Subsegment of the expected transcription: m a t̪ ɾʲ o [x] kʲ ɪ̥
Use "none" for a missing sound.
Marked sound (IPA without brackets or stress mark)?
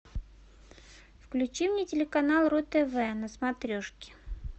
ʂ